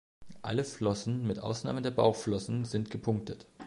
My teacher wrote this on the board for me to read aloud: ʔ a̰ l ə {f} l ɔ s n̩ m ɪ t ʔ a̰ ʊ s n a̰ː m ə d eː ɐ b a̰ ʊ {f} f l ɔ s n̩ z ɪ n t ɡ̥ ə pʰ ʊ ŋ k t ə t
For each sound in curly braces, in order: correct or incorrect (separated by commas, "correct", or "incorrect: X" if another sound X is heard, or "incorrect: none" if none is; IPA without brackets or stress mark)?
correct, incorrect: x